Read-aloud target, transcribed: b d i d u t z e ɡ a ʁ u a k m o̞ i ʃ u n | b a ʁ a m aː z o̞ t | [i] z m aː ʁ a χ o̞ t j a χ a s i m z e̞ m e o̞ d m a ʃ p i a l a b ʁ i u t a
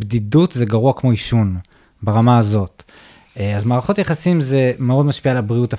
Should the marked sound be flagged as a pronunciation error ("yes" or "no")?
yes